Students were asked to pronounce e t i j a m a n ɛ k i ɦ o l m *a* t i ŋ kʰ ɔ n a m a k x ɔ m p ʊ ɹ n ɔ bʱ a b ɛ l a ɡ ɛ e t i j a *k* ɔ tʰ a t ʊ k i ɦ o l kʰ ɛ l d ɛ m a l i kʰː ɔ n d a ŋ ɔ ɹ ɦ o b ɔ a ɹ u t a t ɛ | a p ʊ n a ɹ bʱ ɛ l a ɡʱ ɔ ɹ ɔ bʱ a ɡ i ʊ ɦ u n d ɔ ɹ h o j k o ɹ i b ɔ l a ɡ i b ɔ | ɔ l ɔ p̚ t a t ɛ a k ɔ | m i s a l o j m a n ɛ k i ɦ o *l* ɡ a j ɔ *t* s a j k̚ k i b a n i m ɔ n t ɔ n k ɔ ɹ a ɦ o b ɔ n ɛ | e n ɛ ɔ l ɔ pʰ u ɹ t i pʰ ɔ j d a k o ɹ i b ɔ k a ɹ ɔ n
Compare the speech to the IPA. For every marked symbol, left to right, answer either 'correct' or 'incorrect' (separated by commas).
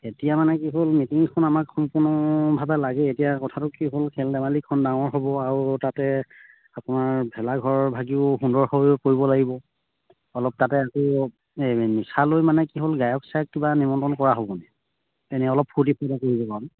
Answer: incorrect, correct, correct, incorrect